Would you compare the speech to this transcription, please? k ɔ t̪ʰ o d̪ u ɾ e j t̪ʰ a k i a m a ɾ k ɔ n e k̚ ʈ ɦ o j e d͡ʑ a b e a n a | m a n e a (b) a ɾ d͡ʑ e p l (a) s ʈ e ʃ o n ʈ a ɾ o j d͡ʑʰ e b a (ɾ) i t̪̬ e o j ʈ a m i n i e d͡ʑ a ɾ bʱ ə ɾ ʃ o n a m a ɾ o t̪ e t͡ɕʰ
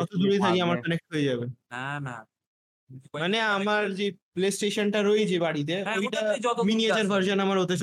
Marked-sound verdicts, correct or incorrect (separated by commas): incorrect, incorrect, incorrect